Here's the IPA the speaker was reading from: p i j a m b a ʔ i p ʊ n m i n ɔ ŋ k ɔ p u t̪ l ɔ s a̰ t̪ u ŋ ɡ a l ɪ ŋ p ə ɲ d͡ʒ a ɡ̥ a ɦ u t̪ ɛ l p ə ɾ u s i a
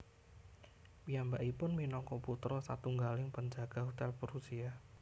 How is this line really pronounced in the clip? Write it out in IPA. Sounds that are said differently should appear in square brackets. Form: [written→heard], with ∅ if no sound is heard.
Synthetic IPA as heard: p i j a m b a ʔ i p ʊ n m i n ɔ ŋ k ɔ p u t̪ [l→ɾ] ɔ s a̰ t̪ u ŋ ɡ a l ɪ ŋ p ə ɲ d͡ʒ a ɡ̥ a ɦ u t̪ ɛ l p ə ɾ u s i a